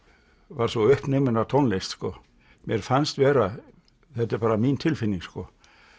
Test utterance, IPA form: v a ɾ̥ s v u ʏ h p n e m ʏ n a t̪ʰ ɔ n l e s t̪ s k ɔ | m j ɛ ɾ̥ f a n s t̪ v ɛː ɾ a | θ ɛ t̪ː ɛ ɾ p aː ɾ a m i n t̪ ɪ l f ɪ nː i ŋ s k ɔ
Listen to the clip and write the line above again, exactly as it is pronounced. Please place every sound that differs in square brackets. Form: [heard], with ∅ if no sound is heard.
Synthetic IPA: v a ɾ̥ s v [ɔ] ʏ h p n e m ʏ n a t̪ʰ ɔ n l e s t̪ s k ɔ | m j ɛ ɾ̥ f a n s t̪ v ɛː ɾ a | θ ɛ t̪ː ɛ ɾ p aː ɾ a m i n [t̪ʰ] ɪ l f ɪ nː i ŋ s k ɔ